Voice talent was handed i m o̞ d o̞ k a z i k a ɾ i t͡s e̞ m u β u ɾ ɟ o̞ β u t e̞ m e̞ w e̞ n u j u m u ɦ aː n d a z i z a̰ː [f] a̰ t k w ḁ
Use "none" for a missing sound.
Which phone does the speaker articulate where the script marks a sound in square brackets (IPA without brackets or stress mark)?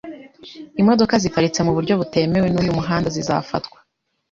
f